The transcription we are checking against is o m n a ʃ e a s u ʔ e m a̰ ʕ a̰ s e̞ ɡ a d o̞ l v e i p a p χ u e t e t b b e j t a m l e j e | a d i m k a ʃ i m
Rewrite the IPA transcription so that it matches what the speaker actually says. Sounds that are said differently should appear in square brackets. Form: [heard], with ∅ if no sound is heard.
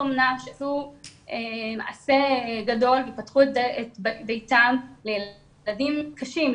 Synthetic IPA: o m n a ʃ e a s u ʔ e m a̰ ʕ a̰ s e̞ ɡ a d o̞ l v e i p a [t] χ u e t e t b b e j t a m l e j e | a d i m k a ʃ i m

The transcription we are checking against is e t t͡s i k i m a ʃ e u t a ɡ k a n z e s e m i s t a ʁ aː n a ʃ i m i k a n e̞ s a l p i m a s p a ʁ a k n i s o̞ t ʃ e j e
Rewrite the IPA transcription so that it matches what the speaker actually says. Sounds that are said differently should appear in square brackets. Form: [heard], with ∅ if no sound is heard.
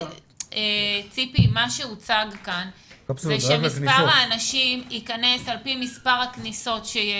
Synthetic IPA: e [∅] t͡s i [p] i m a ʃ e u [t͡s] a ɡ k a n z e [ʃ] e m i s [p] a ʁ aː n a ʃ i m i k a n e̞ s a l p i m [i] s p a ʁ a k n i s o̞ t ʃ e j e

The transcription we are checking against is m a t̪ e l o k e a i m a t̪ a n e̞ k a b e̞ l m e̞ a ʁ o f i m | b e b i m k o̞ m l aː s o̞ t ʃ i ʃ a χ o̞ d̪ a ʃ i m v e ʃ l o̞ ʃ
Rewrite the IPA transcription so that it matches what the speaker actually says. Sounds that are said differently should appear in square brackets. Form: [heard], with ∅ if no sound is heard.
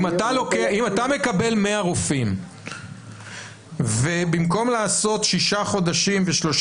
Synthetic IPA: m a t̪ [a] l o k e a i m a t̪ a [m] e̞ k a b e̞ l m e̞ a ʁ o f i m | [v] e b i m k o̞ m l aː s o̞ t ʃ i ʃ a χ o̞ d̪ a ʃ i m v e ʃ l o̞ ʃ

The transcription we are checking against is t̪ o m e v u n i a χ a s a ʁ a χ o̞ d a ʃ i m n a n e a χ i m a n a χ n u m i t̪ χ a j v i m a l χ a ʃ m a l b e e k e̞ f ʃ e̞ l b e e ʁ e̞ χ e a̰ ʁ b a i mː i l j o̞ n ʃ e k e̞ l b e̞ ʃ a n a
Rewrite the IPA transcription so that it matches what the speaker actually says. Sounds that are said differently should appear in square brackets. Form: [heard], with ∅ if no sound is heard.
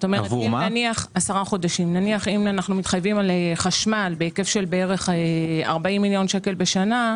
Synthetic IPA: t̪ o m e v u n i a χ a s a ʁ a χ o̞ d a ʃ i m n a n [i] a χ i m a n a χ n u m i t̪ χ a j v i m a l χ a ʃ m a l b e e k e̞ f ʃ e̞ l b e e ʁ e̞ χ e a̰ ʁ b a i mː i l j o̞ n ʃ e k e̞ l b e̞ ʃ a n a

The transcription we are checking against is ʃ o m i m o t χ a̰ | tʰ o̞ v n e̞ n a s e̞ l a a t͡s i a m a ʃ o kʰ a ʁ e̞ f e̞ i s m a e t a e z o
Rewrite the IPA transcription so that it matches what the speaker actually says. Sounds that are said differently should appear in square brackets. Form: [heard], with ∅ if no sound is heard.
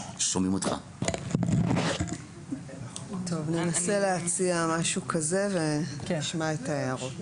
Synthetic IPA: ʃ o m i m o t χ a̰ | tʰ o̞ v n e̞ n a s e̞ l [e] a t͡s i a m a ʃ [u] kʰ a [z] e̞ [v] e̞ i [ʃ] m a e t a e [ʁ] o

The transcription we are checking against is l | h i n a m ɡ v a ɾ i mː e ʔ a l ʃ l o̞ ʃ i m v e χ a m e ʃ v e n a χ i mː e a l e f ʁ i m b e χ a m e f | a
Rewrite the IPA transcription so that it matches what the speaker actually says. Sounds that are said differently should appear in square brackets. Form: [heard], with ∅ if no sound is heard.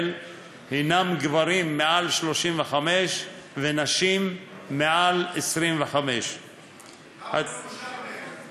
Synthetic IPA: l | h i n a m ɡ v a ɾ i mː e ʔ a l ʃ l o̞ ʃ i m v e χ a m e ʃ v e n a [ʃ] i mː e a l e [s] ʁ i m [v] e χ a m e [ʃ] | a

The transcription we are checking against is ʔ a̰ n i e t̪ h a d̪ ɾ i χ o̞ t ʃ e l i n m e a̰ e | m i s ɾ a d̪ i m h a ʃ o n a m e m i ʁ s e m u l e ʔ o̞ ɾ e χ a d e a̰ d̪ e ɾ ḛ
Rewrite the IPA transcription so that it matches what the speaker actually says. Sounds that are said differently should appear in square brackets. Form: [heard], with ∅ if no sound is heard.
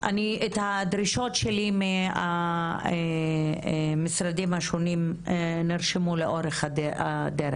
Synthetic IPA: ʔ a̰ n i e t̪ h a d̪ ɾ i [ʃ] o̞ t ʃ e l i [∅] m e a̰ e | m i s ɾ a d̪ i m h a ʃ o n [i] m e [n] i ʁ [ʃ] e m u l e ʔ o̞ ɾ e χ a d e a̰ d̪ e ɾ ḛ

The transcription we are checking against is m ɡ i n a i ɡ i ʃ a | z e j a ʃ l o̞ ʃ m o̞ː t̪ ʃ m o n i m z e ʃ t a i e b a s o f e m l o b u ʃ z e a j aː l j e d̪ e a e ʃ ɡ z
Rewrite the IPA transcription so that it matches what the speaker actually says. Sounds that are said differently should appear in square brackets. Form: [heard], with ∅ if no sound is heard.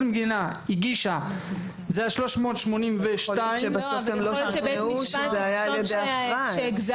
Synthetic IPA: m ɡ i n a i ɡ i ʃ a | z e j a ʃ l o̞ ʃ m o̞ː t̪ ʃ m o n i m [v] e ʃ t a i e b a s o f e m l o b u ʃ z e a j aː l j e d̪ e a [a] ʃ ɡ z

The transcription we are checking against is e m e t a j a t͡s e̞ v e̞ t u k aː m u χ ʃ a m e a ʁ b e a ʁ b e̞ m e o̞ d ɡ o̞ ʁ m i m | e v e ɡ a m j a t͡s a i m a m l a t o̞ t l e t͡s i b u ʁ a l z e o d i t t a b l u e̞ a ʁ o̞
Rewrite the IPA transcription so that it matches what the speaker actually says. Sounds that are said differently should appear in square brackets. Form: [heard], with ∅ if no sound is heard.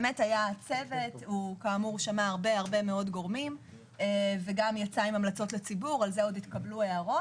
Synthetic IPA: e m e t a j a t͡s e̞ v e̞ t u k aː m u [ʁ] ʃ a m [a] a ʁ b e a ʁ b e̞ m e o̞ d ɡ o̞ ʁ m i m | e v e ɡ a m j a t͡s a i m a m l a [t͡s] o̞ t l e t͡s i b u ʁ a l z e o d i t [k] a b l u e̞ a ʁ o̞

